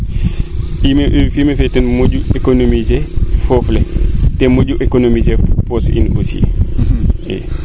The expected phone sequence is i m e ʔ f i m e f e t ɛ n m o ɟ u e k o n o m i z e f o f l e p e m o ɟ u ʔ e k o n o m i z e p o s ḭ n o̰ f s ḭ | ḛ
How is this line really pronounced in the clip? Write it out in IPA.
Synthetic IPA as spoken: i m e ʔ f i m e f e t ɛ n m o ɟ u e k o n o m i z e f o f l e t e m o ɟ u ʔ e k o n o m i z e p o s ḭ n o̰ s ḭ | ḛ